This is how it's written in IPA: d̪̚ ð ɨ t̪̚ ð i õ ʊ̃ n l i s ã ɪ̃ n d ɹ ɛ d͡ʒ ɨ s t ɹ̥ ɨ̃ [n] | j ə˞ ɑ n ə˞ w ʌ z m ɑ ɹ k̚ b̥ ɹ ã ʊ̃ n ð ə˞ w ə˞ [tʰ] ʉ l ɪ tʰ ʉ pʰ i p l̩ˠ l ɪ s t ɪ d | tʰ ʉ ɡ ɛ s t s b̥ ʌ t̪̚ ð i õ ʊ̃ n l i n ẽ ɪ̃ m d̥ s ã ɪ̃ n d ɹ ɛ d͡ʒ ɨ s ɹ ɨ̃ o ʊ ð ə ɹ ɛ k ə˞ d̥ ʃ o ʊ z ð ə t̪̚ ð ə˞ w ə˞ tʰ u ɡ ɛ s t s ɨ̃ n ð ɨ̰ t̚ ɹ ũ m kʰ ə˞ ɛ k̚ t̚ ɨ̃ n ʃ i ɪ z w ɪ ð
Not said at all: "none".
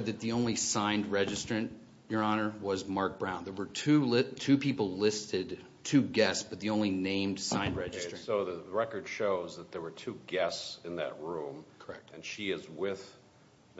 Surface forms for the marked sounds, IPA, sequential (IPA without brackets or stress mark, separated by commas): n, tʰ